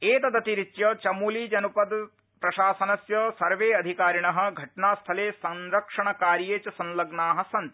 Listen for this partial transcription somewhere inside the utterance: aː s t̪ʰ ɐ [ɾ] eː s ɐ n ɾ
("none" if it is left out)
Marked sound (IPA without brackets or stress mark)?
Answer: l